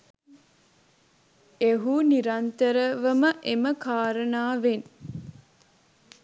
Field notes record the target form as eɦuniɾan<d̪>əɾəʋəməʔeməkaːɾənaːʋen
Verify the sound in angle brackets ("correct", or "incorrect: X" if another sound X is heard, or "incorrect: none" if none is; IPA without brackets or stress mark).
incorrect: t̪